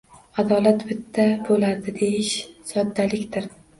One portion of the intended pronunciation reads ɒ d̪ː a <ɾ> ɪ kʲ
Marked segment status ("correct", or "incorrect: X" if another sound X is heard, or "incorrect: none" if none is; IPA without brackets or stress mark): incorrect: l